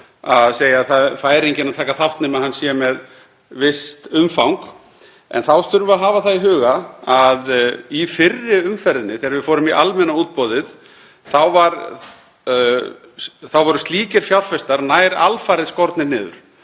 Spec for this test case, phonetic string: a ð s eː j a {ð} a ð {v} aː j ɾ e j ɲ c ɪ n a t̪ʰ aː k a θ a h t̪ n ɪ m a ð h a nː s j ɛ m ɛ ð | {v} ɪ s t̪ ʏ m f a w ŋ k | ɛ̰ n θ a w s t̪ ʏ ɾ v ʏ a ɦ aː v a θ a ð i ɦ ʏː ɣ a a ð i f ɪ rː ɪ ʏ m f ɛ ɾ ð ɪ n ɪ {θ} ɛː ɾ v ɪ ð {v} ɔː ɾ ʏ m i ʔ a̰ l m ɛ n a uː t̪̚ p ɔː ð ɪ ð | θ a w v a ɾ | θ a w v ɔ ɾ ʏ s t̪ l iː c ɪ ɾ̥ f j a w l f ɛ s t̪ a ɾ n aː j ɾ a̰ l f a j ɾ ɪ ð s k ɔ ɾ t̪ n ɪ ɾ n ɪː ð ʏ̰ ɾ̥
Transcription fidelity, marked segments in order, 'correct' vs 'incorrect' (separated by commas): incorrect, incorrect, correct, correct, incorrect